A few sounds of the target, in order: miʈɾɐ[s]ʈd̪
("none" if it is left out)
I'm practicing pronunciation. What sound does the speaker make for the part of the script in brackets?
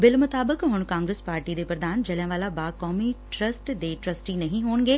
s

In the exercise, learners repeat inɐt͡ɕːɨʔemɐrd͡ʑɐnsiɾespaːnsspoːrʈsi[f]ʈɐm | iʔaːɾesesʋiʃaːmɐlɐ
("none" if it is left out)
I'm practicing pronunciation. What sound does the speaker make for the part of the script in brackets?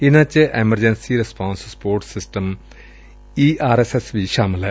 s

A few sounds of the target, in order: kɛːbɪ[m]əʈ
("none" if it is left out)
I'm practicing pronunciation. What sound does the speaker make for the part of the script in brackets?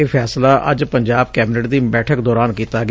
n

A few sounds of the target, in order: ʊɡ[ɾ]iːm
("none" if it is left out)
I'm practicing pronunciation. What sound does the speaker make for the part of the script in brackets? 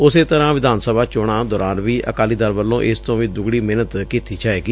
ɽ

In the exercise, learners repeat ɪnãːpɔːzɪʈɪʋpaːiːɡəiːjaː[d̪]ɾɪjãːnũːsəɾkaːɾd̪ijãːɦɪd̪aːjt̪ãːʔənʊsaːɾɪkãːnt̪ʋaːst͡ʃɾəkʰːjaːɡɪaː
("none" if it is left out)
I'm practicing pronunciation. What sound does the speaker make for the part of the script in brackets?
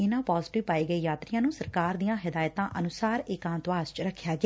t̪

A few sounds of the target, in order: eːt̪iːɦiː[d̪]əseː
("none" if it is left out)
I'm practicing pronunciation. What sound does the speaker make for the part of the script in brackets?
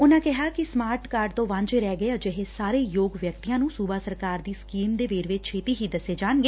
d̪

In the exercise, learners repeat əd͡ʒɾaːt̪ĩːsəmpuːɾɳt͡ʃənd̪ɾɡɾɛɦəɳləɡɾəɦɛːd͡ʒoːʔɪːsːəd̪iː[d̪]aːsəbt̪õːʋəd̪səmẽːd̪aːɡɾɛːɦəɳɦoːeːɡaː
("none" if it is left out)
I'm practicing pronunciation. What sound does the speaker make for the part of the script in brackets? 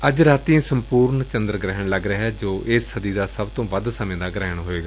d̪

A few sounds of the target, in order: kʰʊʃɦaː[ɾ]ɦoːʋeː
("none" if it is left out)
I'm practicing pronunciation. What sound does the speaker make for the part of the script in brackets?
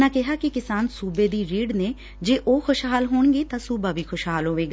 l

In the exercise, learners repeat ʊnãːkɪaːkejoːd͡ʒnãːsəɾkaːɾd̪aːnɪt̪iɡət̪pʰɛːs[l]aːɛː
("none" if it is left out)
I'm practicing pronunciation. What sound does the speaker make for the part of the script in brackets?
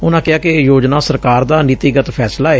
l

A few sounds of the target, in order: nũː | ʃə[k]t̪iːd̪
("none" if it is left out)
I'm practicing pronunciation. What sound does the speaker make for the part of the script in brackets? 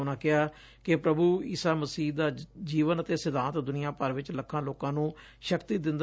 k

